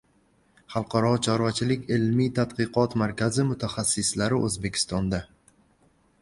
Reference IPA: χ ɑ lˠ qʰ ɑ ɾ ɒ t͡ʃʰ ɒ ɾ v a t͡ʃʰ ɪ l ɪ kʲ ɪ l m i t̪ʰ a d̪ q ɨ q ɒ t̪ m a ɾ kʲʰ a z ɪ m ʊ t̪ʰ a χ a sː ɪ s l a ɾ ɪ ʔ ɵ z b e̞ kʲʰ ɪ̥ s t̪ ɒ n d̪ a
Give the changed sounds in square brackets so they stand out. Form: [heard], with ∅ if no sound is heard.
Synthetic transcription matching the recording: χ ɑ lˠ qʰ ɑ ɾ ɒ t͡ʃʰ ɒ ɾ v a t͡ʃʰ ɪ l ɪ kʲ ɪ l m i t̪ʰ a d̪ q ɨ q ɒ t̪ m a ɾ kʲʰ a z ɪ m ʊ t̪ʰ a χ a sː ɪ s l a ɾ ɪ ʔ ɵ z b e̞ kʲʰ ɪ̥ s t̪ ɒ n d̪ a